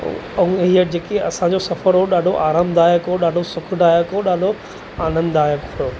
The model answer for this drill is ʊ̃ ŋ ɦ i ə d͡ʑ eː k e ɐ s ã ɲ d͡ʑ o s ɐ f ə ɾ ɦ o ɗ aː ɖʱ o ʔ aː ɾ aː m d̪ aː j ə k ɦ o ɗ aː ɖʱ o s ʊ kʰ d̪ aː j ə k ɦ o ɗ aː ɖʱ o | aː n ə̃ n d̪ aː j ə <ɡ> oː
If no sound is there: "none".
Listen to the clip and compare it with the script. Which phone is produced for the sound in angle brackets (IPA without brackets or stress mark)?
k